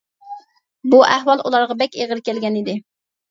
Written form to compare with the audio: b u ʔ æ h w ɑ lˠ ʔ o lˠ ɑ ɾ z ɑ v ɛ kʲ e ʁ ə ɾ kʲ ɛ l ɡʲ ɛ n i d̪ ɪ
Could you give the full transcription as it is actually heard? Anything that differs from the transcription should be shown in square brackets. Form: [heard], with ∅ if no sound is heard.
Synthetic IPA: b u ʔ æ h w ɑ lˠ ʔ [u] lˠ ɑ ɾ [ʁ] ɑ [b] ɛ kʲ e ʁ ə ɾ kʲ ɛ l ɡʲ ɛ n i d̪ ɪ